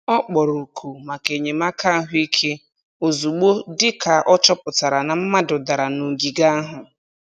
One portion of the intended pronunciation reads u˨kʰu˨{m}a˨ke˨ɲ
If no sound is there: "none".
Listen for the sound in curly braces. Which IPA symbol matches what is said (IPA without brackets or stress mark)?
m